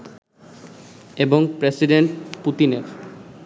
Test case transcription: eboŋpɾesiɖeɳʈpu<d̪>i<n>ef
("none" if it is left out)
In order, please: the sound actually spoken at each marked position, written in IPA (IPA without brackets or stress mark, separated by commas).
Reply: t̪, n